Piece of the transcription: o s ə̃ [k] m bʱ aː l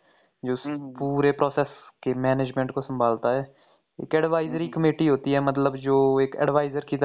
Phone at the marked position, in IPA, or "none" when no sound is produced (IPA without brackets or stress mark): none